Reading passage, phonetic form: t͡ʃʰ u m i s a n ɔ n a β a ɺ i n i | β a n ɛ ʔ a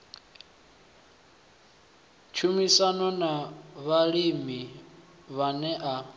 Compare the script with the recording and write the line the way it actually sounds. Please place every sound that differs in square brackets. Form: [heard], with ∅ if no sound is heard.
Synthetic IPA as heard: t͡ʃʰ u m i s a n ɔ n a β a ɺ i [m] i | β a n ɛ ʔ a